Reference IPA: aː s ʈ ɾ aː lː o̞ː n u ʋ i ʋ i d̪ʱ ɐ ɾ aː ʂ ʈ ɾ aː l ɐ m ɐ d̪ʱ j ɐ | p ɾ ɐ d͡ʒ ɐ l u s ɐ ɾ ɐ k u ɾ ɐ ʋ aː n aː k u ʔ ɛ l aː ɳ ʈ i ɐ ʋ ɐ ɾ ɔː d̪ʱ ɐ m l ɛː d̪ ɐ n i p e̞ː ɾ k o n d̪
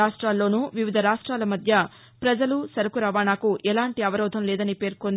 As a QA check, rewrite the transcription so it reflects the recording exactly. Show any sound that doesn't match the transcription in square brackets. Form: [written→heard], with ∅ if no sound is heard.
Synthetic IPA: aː [s→ʂ] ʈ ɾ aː lː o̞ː n u ʋ i ʋ i d̪ʱ ɐ ɾ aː ʂ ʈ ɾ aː l ɐ m ɐ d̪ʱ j ɐ | p ɾ ɐ d͡ʒ ɐ l u s ɐ ɾ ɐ k u ɾ ɐ ʋ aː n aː k u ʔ ɛ l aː ɳ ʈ i ɐ ʋ ɐ ɾ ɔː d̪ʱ ɐ m l ɛː d̪ ɐ n i p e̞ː ɾ k o n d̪